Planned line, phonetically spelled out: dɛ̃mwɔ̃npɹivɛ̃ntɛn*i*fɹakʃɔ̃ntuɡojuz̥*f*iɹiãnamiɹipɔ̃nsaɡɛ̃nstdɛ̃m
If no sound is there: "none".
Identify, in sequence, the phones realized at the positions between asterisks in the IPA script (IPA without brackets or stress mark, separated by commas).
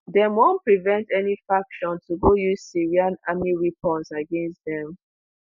i, s